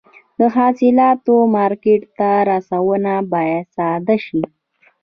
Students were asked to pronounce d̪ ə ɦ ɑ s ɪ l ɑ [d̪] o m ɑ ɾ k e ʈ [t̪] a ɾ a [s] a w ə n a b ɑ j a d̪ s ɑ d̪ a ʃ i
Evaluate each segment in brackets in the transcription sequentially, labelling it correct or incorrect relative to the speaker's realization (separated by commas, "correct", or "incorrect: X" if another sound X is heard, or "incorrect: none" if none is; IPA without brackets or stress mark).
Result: incorrect: t̪, correct, correct